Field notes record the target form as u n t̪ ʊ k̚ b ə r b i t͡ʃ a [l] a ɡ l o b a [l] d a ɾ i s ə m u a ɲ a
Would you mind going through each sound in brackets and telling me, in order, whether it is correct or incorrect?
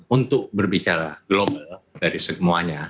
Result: incorrect, correct

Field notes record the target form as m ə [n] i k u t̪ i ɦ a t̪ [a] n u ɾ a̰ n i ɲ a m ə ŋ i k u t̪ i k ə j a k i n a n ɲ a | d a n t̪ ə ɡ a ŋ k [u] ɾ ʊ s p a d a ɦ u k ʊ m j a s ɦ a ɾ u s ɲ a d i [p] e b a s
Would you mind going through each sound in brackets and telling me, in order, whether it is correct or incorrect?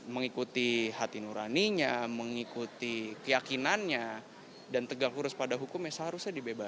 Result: incorrect, incorrect, correct, incorrect

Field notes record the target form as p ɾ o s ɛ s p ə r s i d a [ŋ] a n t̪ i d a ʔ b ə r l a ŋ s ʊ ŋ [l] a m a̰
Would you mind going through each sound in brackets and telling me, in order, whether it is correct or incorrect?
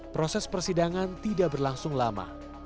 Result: correct, correct

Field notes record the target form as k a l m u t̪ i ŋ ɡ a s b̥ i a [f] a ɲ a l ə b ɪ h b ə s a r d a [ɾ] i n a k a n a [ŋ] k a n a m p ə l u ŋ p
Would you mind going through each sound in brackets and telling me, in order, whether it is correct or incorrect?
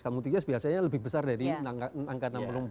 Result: incorrect, correct, correct

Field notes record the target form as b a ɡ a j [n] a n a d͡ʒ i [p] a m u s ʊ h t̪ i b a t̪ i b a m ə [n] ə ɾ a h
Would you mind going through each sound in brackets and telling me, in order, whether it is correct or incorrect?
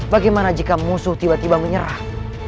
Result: incorrect, incorrect, incorrect

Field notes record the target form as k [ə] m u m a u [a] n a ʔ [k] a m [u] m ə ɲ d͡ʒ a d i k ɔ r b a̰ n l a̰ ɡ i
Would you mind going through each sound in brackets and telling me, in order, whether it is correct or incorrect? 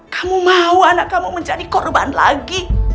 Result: incorrect, correct, correct, correct

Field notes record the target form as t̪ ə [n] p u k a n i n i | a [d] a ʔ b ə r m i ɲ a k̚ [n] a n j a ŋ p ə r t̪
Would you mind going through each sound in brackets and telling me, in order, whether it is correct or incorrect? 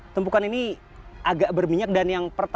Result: incorrect, incorrect, incorrect

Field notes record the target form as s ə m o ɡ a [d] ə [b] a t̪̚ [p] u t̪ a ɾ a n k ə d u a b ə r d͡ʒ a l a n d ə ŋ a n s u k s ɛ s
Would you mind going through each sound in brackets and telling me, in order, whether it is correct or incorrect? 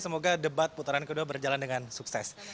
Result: correct, correct, correct

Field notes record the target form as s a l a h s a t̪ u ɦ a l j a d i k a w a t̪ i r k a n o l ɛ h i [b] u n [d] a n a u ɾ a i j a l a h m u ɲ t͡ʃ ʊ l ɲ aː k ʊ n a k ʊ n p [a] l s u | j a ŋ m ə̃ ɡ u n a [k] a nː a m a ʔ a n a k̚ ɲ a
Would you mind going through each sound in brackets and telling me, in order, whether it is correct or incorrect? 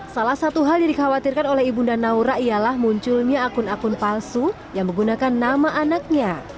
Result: correct, correct, correct, correct

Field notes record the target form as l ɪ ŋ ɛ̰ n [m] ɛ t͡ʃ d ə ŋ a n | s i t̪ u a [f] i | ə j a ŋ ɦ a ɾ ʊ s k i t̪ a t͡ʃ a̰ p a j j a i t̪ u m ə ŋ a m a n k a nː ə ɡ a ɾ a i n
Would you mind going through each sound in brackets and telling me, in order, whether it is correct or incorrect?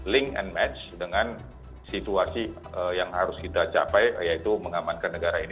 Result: correct, incorrect

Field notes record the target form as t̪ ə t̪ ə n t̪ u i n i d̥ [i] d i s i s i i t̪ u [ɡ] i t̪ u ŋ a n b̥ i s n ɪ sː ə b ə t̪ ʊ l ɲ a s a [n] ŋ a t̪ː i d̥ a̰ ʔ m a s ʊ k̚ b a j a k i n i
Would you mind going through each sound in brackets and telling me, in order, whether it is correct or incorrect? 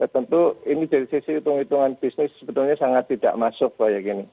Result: incorrect, incorrect, incorrect

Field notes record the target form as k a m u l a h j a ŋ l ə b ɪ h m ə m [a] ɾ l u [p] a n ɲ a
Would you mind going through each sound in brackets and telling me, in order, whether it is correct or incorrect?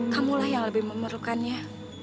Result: incorrect, incorrect

